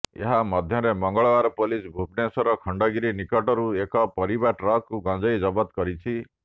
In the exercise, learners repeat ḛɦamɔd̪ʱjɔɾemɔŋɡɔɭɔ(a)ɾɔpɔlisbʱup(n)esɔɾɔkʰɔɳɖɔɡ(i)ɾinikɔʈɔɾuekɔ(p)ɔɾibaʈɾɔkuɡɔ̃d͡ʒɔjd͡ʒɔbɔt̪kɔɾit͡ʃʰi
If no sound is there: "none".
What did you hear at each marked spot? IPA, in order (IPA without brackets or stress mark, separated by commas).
a, n, i, p